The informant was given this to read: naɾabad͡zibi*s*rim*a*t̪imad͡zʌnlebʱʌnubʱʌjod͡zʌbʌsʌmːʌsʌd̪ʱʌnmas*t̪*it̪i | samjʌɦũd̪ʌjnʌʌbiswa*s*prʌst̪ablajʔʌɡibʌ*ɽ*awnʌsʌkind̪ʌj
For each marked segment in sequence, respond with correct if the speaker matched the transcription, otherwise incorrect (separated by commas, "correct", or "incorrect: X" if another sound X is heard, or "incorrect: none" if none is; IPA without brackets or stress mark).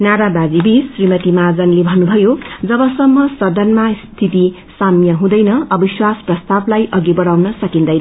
correct, incorrect: ʌ, incorrect: t̪ʰ, correct, correct